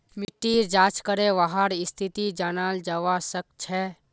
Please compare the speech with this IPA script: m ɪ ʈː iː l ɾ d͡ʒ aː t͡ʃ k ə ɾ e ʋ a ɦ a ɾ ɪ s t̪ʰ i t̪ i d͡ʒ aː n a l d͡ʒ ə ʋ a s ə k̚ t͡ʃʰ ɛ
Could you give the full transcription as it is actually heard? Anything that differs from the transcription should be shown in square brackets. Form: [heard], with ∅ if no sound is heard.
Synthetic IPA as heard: m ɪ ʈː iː [∅] ɾ d͡ʒ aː t͡ʃ k ə ɾ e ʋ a ɦ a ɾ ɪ s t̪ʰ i t̪ i d͡ʒ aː n a l d͡ʒ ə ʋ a s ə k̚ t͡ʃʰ ɛ